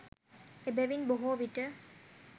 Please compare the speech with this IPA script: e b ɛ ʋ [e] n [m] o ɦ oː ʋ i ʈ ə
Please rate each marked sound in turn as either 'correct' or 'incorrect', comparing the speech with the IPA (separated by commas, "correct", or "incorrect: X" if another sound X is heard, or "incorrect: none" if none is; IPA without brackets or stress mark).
incorrect: i, incorrect: b